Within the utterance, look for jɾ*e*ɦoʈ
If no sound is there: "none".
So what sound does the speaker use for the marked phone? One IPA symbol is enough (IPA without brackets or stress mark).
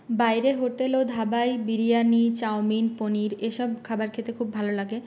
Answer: e